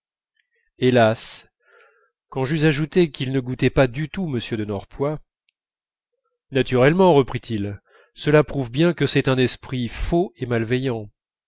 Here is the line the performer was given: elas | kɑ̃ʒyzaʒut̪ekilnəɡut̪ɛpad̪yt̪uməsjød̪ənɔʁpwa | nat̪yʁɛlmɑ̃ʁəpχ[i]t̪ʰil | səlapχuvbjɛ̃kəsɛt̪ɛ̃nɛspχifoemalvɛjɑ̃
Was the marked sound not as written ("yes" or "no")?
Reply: no